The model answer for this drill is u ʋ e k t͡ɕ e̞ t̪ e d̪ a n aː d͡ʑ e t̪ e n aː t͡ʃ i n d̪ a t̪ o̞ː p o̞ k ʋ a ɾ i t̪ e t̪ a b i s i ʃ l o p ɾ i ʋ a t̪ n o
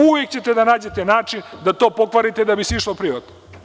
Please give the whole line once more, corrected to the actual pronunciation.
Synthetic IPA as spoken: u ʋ e k t͡ɕ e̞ t̪ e d̪ a n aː d͡ʑ e t̪ e n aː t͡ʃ i n d̪ a t̪ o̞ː p o̞ k ʋ a ɾ i t̪ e d̪ a b i s i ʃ l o p ɾ i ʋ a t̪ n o